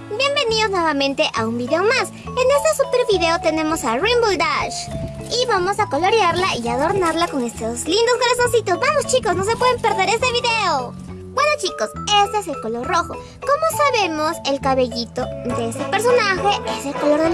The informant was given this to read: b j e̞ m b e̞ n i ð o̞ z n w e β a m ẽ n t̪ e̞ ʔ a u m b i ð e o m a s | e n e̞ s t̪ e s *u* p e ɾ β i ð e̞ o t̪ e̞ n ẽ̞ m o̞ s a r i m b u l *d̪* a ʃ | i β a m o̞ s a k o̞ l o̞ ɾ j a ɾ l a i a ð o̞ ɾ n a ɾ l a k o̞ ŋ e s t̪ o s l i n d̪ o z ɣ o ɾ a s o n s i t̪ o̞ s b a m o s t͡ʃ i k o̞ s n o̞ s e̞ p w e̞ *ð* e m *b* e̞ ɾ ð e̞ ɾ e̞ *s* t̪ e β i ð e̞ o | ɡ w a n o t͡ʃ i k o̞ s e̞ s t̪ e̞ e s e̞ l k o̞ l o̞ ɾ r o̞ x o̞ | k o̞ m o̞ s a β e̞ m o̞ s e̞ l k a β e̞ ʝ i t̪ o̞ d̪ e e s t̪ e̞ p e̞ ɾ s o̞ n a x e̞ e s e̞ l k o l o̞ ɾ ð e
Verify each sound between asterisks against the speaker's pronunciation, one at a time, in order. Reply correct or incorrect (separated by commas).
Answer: correct, correct, correct, incorrect, correct